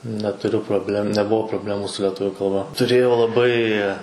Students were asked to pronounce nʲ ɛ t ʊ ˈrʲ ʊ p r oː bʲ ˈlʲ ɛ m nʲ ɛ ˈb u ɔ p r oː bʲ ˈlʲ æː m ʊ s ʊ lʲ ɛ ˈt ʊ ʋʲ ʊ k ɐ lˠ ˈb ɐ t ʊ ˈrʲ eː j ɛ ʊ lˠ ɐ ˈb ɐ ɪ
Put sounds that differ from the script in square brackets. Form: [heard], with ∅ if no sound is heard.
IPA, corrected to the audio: nʲ ɛ t ʊ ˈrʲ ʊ p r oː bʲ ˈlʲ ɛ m nʲ ɛ ˈb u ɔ p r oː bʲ ˈlʲ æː m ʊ s ʊ lʲ ɛ ˈt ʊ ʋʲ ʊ k ɐ lˠ ˈb ɐ t ʊ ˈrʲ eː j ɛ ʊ lˠ ɐ ˈb ɐ ɪ